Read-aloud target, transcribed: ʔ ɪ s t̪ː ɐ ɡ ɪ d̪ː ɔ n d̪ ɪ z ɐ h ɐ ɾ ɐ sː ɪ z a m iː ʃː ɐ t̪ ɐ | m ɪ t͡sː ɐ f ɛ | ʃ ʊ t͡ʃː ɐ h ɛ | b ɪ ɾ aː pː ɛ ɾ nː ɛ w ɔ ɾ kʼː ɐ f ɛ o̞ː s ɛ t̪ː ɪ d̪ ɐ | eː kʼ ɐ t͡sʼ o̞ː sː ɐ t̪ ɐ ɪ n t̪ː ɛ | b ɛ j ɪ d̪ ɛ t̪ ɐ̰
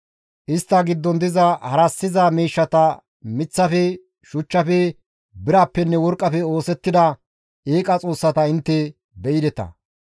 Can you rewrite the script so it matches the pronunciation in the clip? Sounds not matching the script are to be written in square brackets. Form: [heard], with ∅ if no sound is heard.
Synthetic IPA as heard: ʔ ɪ s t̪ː ɐ ɡ ɪ d̪ː ɔ n d̪ ɪ z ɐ h ɐ ɾ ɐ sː ɪ z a m iː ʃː ɐ t̪ ɐ | m ɪ t͡sː ɐ f ɛ | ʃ ʊ t͡ʃː ɐ [f] ɛ | b ɪ ɾ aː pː ɛ [∅] nː ɛ w ɔ ɾ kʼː ɐ f ɛ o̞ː s ɛ t̪ː ɪ d̪ ɐ | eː kʼ ɐ t͡sʼ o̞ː sː ɐ t̪ ɐ ɪ n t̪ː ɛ | b ɛ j ɪ d̪ ɛ t̪ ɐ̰